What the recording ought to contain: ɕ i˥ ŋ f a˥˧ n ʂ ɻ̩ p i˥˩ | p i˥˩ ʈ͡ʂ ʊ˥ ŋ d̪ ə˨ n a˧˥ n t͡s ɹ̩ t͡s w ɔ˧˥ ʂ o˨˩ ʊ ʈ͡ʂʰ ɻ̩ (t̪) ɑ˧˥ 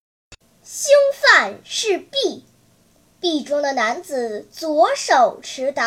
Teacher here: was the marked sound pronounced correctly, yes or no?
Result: yes